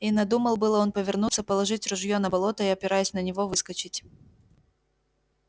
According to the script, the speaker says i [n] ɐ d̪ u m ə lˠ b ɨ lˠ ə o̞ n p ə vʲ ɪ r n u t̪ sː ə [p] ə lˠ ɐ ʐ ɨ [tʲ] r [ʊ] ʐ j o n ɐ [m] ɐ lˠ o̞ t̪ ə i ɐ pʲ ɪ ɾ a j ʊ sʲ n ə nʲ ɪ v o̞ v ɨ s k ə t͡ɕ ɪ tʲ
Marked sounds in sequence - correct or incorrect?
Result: correct, correct, correct, correct, incorrect: b

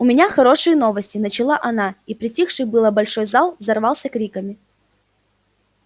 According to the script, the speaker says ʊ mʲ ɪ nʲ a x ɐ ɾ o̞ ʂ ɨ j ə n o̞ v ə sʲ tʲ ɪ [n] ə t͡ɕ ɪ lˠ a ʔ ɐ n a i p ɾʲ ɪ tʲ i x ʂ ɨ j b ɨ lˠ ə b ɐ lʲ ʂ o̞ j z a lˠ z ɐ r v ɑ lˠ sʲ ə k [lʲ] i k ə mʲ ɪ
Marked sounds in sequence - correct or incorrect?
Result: correct, incorrect: ɾʲ

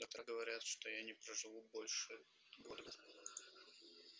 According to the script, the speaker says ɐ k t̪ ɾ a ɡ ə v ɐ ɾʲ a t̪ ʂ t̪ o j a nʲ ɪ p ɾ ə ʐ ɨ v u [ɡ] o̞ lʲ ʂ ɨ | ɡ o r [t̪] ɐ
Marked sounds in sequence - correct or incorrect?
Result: incorrect: b, incorrect: d̪

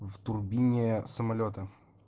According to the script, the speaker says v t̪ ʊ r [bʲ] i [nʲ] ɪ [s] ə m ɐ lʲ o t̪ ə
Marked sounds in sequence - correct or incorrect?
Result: correct, correct, correct

